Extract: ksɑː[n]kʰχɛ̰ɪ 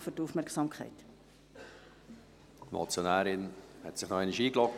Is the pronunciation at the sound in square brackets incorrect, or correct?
incorrect